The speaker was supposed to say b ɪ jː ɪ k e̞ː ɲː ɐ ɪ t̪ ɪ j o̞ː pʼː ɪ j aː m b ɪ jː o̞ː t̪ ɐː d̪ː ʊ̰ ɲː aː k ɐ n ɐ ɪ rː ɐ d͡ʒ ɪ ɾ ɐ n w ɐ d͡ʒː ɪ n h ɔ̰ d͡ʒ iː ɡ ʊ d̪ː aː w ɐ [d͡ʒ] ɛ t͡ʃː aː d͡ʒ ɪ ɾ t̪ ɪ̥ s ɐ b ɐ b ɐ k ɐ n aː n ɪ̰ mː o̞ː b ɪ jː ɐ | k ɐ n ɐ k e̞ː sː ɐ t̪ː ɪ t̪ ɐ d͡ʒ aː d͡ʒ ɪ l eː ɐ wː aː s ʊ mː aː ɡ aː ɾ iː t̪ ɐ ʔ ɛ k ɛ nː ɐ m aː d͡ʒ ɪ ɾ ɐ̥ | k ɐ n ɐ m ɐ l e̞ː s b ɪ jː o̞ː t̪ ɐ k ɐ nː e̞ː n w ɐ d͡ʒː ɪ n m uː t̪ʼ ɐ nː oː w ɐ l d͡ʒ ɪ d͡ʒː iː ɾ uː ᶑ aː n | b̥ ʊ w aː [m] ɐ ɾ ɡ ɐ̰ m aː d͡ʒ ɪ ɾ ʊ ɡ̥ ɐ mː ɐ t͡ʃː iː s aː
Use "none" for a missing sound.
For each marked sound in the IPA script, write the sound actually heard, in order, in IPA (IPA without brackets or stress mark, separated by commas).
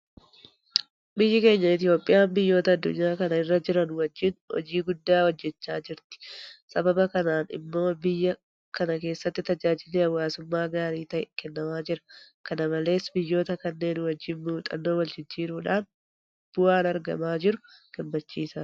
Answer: d͡ʒː, n